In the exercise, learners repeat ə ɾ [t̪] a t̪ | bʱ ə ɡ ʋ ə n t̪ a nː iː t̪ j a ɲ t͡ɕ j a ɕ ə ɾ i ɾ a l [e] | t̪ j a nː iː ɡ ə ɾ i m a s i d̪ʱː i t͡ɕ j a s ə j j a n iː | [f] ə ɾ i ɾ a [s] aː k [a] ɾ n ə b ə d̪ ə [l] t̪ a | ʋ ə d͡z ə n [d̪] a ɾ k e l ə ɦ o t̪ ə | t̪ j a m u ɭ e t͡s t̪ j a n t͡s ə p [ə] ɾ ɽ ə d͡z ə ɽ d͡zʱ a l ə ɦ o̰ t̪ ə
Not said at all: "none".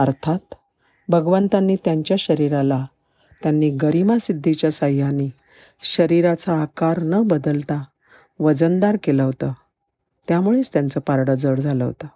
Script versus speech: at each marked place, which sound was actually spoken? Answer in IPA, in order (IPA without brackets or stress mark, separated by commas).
t̪ʰ, a, ɕ, t͡s, a, l, d̪, a